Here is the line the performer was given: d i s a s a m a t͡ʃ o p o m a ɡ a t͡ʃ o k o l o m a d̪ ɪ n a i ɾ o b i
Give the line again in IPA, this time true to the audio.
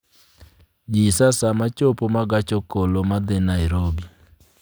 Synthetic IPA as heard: d͡ʒ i s a s a m a t͡ʃ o p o m a ɡ a t͡ʃ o k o l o m a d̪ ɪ n a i ɾ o b i